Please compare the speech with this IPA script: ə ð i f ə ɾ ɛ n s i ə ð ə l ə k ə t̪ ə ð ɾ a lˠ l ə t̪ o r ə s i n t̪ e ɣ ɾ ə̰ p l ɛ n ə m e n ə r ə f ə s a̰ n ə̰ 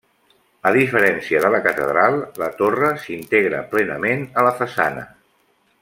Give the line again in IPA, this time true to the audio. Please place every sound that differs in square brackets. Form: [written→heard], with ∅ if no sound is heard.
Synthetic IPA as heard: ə ð i f ə ɾ ɛ n s i ə ð ə l ə k ə t̪ ə ð ɾ a lˠ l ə t̪ o r ə s i n t̪ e ɣ ɾ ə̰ p l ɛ n ə m e n ə [r→l] ə f ə s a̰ n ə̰